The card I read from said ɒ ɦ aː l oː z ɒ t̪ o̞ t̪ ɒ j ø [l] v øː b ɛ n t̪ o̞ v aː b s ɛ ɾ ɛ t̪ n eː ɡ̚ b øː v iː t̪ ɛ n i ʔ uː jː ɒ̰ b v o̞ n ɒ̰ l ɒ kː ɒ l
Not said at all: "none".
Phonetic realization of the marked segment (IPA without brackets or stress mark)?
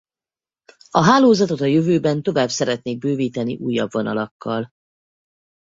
none